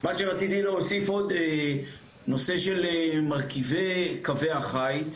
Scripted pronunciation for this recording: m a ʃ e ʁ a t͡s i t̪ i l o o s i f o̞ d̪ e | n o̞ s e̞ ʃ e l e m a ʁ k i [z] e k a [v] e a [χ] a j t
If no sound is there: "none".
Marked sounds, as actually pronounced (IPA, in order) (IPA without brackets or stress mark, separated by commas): v, v, χ